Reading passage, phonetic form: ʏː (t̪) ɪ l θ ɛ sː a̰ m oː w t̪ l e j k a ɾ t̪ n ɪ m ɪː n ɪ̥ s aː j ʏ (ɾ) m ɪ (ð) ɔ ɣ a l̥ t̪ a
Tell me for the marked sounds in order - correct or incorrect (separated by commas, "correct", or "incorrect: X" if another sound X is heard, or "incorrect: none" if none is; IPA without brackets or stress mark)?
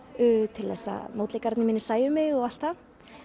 incorrect: t̪ʰ, incorrect: none, incorrect: ɣ